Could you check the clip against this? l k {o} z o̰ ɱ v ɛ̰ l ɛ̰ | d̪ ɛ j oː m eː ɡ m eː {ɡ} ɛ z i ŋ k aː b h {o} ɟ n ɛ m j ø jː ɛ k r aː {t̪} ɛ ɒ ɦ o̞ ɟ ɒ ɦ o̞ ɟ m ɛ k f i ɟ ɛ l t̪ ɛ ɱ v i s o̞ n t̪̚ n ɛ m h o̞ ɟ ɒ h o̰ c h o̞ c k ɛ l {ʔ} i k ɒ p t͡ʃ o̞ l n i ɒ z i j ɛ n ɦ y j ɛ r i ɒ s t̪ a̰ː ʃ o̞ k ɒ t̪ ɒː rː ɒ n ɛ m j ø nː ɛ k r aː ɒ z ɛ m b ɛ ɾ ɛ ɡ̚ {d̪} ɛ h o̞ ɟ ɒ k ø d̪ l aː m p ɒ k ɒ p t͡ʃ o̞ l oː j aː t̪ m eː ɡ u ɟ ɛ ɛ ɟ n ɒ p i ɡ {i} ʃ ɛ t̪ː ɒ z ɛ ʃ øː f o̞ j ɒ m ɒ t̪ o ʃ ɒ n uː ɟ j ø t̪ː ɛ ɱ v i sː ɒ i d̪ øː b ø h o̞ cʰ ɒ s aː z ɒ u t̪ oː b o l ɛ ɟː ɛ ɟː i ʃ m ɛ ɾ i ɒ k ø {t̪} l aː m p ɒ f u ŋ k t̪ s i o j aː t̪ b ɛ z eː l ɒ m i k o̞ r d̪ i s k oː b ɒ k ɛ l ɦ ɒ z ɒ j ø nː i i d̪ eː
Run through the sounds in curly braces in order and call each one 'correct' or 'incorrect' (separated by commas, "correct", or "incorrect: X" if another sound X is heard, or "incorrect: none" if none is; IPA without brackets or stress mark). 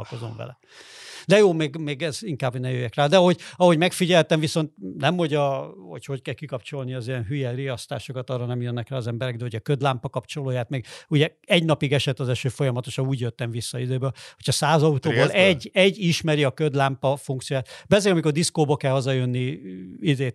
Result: correct, correct, correct, incorrect: d̪, incorrect: k, correct, incorrect: ɛ, incorrect: d̪